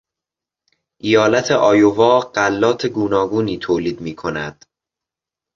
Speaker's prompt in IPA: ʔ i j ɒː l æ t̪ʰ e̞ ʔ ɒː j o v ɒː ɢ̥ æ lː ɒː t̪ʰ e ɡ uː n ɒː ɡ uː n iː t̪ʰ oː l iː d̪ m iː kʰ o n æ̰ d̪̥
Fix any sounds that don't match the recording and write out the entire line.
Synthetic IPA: ʔ i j ɒː l æ t̪ʰ e̞ ʔ ɒː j o v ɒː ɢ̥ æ lː ɒː t̪ʰ e ɡ uː n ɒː ɡ uː n iː t̪ʰ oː l iː d̪ m iː kʰ o n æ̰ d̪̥